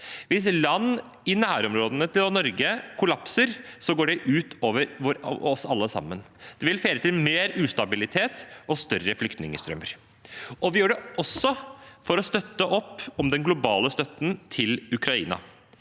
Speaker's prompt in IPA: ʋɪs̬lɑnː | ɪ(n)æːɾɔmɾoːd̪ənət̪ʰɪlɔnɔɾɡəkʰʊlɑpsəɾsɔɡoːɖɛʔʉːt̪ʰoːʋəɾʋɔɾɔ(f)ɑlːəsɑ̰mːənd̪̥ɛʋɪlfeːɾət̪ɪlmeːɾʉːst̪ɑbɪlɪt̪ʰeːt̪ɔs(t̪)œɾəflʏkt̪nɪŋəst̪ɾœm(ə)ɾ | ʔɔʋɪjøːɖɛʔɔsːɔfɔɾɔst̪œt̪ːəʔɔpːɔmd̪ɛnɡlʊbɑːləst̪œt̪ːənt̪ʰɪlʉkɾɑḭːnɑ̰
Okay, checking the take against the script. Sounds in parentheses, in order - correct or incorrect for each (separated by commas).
correct, incorrect, correct, correct